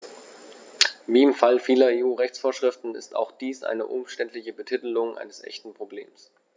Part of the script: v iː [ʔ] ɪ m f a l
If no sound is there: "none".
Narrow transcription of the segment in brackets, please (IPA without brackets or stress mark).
none